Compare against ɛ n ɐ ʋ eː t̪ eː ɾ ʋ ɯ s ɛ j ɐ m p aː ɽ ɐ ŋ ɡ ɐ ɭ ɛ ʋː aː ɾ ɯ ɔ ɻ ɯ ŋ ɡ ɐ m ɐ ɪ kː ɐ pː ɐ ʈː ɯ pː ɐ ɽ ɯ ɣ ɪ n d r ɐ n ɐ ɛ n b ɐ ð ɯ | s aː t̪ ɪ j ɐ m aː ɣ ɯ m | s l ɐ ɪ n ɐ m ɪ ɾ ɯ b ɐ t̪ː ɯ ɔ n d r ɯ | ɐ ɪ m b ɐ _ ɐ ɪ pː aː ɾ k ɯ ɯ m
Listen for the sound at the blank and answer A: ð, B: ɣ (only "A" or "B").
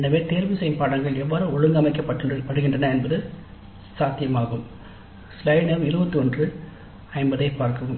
A